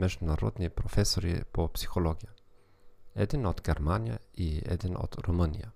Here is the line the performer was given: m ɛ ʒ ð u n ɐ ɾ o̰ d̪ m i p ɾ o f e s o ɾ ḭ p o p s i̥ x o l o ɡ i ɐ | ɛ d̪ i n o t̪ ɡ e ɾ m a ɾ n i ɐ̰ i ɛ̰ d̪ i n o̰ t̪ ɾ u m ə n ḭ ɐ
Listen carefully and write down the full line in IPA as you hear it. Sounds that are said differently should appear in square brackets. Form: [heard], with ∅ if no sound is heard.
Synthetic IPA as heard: m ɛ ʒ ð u n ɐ ɾ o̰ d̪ [n] i p ɾ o f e s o ɾ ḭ p o p s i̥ x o l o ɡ i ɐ | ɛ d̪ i n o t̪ ɡ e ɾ m a [∅] n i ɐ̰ i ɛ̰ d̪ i n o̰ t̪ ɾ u m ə n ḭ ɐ